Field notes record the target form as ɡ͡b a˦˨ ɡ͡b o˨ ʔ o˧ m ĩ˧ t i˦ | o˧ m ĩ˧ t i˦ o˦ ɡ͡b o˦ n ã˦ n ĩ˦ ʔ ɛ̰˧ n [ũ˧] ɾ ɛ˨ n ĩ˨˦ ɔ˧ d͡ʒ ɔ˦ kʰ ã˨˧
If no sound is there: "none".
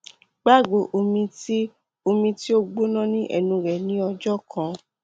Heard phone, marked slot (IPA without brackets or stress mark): ũ˧